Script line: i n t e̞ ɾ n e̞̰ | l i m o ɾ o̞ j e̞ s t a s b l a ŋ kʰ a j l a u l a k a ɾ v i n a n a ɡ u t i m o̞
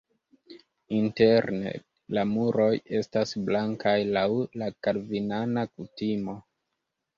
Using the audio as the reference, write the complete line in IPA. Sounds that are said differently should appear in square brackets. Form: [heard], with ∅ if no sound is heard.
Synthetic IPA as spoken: i n t e̞ ɾ n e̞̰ | l [a] m [u] ɾ o̞ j e̞ s t a s b l a ŋ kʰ a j l a [w] l a k a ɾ v i n a n a [k] u t i m o̞